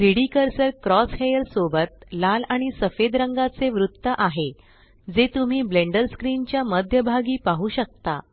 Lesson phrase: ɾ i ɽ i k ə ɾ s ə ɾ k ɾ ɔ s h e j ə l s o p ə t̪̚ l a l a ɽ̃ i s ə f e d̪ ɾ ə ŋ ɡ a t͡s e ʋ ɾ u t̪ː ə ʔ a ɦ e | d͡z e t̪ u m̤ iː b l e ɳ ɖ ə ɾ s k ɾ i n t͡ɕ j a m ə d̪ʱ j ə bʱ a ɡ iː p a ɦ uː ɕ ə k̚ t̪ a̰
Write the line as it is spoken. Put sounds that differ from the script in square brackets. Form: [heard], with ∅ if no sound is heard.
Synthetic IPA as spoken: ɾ i ɽ i k ə ɾ s ə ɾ k ɾ ɔ s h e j ə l s o [b] ə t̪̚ l a l a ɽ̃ i s ə f e d̪ ɾ ə ŋ ɡ a t͡s e ʋ ɾ u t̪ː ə ʔ a ɦ e | d͡z e t̪ u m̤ iː b l e ɳ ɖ ə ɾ s k ɾ i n t͡ɕ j a m ə d̪ʱ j ə bʱ a ɡ iː p a ɦ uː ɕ ə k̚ t̪ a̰